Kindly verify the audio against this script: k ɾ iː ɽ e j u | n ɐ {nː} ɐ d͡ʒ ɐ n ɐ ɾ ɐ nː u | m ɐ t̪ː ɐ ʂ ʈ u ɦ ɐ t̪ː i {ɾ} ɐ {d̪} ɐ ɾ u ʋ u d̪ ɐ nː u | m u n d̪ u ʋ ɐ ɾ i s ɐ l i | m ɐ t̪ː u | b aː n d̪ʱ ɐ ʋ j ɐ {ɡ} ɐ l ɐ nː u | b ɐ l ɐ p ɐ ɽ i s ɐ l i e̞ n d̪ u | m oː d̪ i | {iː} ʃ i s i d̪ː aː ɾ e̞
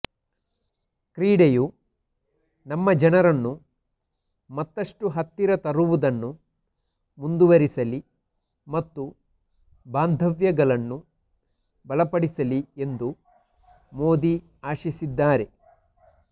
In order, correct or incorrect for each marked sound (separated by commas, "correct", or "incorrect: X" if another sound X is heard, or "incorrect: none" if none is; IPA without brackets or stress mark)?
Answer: incorrect: mː, correct, incorrect: t̪, correct, incorrect: aː